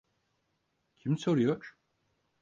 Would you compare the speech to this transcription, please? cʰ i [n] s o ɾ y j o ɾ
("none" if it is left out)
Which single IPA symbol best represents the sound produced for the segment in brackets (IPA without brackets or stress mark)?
m